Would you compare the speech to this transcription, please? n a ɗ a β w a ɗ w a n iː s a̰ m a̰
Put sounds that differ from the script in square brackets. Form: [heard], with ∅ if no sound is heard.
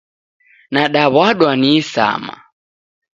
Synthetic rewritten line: n a ɗ a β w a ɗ w a n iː s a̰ m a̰